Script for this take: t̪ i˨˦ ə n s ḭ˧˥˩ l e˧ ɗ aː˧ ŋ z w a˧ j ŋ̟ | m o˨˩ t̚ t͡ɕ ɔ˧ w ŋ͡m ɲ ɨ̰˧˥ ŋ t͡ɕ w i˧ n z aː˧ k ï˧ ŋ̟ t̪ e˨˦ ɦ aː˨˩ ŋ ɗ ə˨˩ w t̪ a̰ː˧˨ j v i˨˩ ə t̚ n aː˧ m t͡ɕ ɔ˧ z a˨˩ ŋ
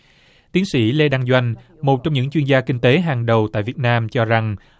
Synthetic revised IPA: t̪ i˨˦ ə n s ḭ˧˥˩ l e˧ ɗ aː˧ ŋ z w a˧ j ŋ̟ | m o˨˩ t̚ t͡ɕ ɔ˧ w ŋ͡m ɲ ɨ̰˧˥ ŋ t͡ɕ w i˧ n z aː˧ k ï˧ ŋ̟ t̪ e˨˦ ɦ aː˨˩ ŋ ɗ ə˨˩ w t̪ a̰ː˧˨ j v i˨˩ ə t̚ n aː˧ m t͡ɕ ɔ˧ z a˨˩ ŋ